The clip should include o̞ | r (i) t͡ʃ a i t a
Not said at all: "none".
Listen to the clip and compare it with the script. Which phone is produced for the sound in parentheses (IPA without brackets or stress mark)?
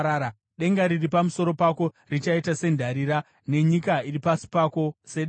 i